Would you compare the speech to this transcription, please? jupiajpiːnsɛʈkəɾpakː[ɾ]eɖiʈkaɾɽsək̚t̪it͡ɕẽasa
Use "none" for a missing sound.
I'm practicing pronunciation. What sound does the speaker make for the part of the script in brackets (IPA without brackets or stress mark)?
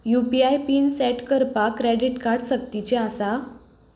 ɾ